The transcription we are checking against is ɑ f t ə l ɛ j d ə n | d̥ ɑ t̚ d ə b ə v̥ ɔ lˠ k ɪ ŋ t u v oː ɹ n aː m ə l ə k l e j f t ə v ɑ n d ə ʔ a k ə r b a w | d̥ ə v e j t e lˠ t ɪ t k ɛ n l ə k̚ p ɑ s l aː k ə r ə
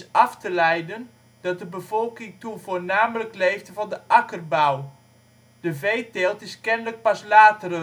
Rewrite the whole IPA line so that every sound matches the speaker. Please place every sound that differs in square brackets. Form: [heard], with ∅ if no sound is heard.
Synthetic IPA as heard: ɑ f t ə l ɛ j d ə n | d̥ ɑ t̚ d ə b ə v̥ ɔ lˠ k ɪ ŋ t u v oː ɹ n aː m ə l ə k l e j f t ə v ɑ n d ə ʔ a k ə r b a w | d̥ ə v e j t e lˠ t ɪ [s] k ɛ n l ə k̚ p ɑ s l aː [t] ə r ə